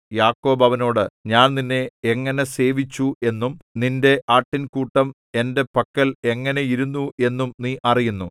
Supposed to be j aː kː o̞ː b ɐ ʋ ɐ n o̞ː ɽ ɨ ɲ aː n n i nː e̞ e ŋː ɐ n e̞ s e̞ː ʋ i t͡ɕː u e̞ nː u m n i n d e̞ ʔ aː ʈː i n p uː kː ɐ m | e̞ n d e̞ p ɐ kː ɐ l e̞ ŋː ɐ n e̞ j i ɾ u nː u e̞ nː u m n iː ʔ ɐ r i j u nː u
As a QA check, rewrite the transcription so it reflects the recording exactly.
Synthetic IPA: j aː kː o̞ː b ɐ ʋ ɐ n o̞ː ɽ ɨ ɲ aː n n i nː e̞ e ŋː ɐ n e̞ s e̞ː ʋ i t͡ɕː u e̞ nː u m n i n d e̞ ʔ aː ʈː i n k uː ʈː ɐ m | e̞ n d e̞ p ɐ kː ɐ l e̞ ŋː ɐ n e̞ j i ɾ u nː u e̞ nː u m n iː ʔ ɐ r i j u nː u